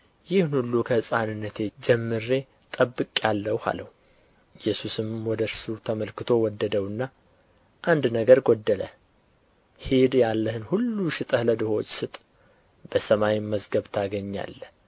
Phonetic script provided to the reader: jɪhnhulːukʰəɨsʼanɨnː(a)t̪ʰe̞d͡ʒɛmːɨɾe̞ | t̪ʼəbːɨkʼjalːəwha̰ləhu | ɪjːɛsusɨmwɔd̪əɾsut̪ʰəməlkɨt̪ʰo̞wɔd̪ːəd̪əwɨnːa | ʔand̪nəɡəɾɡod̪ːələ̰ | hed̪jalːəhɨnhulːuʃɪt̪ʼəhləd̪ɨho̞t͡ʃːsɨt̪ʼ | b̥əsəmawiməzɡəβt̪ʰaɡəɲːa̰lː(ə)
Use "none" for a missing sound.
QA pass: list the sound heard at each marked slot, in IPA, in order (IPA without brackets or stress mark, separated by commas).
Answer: ə, ə